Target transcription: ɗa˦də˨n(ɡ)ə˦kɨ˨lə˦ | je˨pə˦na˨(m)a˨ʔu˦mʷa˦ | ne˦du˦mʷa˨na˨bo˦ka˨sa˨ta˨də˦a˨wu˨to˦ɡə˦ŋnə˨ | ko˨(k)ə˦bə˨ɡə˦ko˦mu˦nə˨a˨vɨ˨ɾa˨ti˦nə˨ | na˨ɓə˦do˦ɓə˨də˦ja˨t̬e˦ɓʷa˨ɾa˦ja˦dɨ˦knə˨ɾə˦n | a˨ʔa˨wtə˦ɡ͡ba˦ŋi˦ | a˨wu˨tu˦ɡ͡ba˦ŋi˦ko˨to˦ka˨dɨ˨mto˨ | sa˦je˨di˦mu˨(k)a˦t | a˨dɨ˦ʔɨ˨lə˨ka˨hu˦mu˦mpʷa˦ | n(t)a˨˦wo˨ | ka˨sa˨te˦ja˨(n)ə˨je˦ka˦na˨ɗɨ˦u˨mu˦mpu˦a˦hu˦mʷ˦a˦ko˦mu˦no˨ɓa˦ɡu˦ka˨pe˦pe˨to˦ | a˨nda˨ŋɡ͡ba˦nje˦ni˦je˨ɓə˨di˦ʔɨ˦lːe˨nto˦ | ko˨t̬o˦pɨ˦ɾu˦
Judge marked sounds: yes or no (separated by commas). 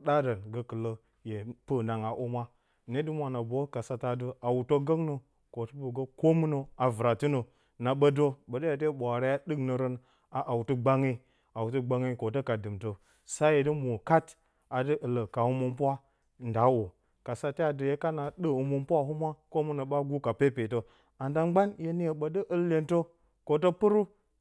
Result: yes, no, no, yes, no, no